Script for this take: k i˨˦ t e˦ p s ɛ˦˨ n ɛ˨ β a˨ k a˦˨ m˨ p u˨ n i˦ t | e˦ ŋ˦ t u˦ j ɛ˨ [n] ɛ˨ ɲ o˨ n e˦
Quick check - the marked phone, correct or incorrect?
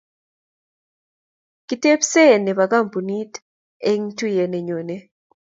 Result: correct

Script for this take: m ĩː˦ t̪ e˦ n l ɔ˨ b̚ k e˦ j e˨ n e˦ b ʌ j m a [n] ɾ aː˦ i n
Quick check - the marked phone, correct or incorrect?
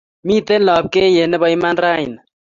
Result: correct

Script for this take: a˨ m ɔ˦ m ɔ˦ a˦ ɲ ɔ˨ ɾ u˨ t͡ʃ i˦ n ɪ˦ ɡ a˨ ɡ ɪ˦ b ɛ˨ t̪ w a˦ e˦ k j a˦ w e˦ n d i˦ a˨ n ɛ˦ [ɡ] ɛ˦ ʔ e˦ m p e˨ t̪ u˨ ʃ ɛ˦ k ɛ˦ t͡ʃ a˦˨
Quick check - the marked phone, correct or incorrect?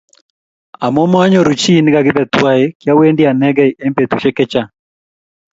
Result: correct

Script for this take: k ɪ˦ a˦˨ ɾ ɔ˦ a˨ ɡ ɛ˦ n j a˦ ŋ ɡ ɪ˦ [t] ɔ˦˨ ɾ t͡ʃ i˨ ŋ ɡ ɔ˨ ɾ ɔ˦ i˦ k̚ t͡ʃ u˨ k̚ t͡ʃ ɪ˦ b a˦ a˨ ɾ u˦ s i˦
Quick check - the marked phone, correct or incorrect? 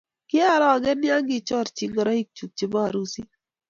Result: incorrect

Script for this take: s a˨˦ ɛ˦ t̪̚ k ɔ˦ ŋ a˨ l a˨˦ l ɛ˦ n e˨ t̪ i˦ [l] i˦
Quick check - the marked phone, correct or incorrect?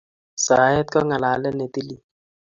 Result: correct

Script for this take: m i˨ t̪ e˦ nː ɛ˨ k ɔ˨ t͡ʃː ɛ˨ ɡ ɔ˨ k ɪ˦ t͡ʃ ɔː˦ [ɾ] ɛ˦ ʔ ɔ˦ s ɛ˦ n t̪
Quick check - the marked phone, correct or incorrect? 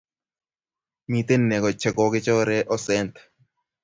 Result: correct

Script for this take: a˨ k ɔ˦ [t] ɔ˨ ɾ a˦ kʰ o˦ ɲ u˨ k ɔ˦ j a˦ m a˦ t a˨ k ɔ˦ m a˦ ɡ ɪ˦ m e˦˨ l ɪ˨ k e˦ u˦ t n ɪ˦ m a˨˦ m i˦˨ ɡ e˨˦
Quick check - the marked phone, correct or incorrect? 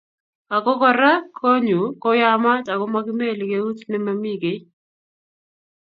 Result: incorrect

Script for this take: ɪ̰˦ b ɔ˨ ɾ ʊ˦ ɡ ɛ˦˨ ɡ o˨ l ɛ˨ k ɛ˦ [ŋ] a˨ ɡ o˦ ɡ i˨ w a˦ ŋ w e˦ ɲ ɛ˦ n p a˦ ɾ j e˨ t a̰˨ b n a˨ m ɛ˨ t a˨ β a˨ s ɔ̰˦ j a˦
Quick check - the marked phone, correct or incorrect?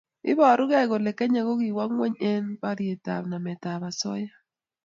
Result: incorrect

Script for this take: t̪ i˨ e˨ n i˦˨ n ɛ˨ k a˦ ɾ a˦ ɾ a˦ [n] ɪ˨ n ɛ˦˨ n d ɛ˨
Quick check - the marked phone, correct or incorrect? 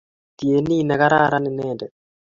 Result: correct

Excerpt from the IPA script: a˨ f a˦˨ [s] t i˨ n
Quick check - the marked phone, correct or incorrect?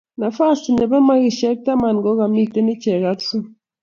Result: correct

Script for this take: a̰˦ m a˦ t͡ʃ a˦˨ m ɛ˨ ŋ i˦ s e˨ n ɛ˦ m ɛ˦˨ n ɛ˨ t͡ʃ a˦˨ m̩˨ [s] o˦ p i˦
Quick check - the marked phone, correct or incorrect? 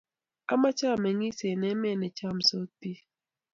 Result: correct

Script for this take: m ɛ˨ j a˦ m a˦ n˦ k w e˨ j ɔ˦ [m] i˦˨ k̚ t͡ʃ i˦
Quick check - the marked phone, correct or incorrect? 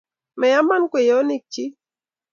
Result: incorrect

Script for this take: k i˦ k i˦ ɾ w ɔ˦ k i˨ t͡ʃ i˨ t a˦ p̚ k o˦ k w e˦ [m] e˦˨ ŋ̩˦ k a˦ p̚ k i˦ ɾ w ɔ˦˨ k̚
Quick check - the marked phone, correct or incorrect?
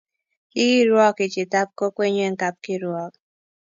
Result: incorrect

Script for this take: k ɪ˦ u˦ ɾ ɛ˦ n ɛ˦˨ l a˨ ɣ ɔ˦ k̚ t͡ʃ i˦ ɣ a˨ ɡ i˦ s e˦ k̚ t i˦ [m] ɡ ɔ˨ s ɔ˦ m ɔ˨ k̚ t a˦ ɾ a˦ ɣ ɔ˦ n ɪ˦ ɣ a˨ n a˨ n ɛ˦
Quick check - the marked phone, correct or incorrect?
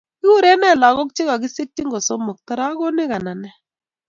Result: incorrect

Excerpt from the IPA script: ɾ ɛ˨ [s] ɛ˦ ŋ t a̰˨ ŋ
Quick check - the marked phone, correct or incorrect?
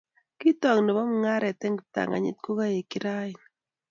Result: incorrect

